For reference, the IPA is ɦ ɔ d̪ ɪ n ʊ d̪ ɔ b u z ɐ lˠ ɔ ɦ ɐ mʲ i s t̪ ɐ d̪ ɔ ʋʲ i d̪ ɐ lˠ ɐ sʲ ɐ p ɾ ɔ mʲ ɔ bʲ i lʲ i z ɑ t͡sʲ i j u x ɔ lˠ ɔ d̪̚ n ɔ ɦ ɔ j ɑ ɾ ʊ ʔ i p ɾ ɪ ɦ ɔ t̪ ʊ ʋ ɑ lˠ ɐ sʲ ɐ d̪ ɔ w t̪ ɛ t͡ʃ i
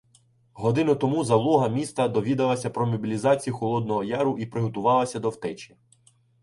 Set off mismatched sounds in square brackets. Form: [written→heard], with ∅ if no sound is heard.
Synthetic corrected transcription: ɦ ɔ d̪ ɪ n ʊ [d̪→t̪] ɔ [b→m] u z ɐ lˠ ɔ ɦ ɐ mʲ i s t̪ ɐ d̪ ɔ ʋʲ i d̪ ɐ lˠ ɐ sʲ ɐ p ɾ ɔ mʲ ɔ bʲ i lʲ i z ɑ t͡sʲ i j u x ɔ lˠ ɔ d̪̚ n ɔ ɦ ɔ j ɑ ɾ ʊ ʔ i p ɾ ɪ ɦ ɔ t̪ ʊ ʋ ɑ lˠ ɐ sʲ ɐ d̪ ɔ w t̪ ɛ t͡ʃ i